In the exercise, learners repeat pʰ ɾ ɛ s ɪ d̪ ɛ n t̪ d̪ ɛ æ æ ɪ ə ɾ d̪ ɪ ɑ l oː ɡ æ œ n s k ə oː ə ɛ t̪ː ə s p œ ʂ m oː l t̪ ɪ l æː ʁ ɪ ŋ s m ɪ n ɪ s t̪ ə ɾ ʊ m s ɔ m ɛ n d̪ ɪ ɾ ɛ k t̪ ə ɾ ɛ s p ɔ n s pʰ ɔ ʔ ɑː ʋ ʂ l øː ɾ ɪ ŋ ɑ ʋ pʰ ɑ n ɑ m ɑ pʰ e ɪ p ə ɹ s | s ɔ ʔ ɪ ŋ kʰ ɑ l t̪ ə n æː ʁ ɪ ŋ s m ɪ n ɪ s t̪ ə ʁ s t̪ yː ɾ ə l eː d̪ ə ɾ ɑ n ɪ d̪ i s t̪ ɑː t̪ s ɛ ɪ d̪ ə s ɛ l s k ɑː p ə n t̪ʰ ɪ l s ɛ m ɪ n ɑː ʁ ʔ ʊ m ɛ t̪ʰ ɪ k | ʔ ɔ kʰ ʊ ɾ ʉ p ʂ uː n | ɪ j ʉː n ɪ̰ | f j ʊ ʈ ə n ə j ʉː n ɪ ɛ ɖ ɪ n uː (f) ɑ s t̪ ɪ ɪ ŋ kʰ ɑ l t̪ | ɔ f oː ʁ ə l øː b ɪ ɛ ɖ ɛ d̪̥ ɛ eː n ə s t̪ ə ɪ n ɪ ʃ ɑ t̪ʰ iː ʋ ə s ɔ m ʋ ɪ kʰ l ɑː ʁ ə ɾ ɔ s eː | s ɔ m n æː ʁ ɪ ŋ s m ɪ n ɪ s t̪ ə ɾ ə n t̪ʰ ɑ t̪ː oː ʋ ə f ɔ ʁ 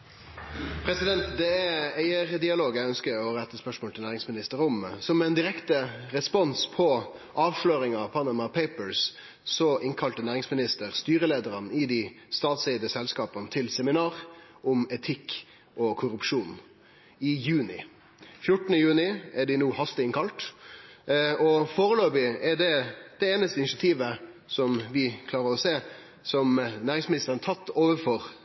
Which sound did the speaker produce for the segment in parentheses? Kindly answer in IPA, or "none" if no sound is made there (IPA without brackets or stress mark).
h